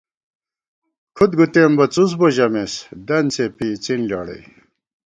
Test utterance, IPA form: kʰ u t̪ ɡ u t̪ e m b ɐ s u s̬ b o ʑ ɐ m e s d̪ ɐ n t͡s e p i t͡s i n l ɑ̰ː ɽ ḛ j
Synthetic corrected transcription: kʰ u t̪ ɡ u t̪ e m b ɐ t͡s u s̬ b o ʑ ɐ m e s d̪ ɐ n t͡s e p i t͡s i n l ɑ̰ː ɽ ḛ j